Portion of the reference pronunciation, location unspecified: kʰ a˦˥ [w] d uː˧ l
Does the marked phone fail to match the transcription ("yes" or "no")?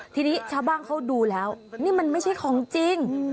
no